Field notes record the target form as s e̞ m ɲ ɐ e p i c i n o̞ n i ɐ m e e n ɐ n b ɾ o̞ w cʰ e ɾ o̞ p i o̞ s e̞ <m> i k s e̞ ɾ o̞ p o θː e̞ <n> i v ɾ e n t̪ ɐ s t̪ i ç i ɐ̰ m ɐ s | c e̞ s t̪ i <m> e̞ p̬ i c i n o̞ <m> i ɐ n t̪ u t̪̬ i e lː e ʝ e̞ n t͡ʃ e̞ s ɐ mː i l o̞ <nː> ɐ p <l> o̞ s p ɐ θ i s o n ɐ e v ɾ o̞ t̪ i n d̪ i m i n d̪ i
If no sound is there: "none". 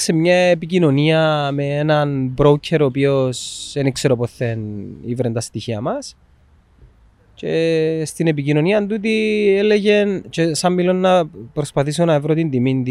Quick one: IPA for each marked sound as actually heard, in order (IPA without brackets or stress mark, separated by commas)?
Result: n, n, n, n, nː, ɾ